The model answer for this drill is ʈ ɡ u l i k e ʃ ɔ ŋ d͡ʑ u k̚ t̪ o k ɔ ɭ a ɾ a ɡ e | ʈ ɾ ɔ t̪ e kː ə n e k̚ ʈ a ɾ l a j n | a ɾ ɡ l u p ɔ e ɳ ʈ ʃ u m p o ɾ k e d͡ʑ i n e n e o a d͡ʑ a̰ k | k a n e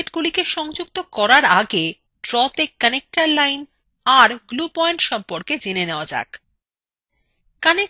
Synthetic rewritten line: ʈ ɡ u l i k e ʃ ɔ ŋ d͡ʑ u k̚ t̪ o k ɔ ɾ a ɾ a ɡ e | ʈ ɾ ɔ t̪ e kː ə n e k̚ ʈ a ɾ l a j n | a ɾ ɡ l u p ɔ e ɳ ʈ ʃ ɔ m p o ɾ k e d͡ʑ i n e n e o a d͡ʑ a̰ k | k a n e